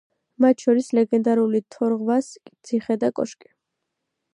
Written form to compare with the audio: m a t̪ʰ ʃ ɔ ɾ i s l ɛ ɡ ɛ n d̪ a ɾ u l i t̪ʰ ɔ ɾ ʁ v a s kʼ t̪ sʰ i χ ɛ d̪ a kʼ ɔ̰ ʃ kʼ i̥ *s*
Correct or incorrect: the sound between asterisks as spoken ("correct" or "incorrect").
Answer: incorrect